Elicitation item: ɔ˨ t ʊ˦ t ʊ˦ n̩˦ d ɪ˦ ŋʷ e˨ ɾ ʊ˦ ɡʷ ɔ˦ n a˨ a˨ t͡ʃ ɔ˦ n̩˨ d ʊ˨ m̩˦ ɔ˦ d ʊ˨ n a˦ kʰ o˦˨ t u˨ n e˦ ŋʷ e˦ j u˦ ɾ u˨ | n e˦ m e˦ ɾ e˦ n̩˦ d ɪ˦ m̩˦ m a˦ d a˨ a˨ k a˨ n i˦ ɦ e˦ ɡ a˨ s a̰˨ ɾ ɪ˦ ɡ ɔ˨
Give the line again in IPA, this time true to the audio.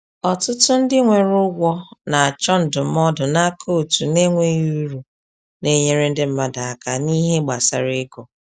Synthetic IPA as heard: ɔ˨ t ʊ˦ t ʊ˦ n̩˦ d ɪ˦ ŋʷ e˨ ɾ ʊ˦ ɡʷ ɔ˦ n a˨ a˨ t͡ʃ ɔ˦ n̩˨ d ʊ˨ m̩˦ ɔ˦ d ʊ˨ n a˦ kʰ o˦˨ t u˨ n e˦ ŋʷ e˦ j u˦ ɾ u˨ | n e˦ ɲ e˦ ɾ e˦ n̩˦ d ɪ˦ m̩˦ m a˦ d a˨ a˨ k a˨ n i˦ ɦ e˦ ɡ͡b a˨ s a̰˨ ɾ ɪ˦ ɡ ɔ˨